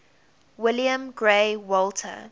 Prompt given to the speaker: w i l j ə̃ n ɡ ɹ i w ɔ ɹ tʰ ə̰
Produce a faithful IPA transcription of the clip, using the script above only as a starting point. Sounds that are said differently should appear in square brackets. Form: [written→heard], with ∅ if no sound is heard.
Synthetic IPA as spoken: w [i→ɪ] l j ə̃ [n→m] ɡ ɹ [i→e] w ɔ [ɹ→l] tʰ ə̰